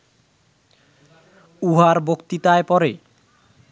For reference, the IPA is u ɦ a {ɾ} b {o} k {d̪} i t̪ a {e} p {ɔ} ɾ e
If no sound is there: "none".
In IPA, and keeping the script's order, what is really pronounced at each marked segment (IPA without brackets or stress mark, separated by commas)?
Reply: ɾ, o, t̪, e, ɔ